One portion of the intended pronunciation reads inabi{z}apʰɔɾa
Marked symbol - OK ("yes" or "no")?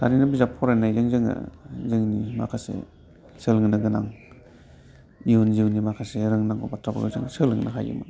yes